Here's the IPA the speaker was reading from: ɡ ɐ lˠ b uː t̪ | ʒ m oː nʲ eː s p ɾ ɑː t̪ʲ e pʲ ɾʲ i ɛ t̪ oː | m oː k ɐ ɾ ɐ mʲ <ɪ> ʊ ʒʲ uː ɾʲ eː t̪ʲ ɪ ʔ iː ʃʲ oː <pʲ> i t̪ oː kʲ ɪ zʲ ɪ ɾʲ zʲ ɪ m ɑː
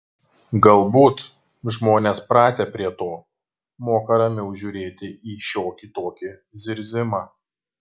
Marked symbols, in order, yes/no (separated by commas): yes, no